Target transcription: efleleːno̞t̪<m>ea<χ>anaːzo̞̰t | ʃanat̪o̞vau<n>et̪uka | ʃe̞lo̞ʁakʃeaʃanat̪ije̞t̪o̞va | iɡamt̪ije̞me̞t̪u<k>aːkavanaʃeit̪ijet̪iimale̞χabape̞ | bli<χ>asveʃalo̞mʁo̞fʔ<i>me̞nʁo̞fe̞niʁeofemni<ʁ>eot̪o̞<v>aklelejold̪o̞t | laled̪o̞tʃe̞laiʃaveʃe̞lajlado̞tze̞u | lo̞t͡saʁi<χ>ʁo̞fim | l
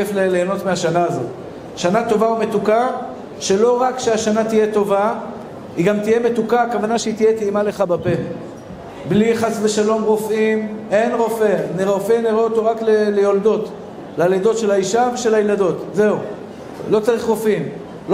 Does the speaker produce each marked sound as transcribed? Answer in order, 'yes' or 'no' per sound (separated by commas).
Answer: yes, no, no, yes, yes, yes, yes, no, yes